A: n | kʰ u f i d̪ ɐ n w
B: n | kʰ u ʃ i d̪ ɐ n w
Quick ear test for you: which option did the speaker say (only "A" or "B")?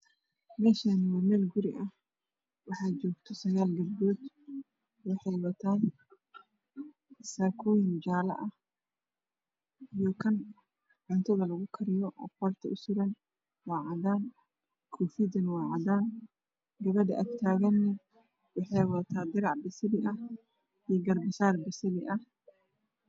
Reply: A